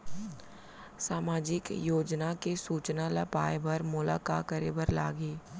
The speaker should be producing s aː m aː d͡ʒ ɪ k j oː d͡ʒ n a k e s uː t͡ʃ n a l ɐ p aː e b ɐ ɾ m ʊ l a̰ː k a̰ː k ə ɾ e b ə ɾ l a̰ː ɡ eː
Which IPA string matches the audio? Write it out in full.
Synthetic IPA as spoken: s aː m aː d͡ʒ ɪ k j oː d͡ʒ n a k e s uː t͡ʃ n a l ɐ p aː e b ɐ ɾ m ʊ l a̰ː k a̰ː k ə ɾ e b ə ɾ l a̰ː ɡ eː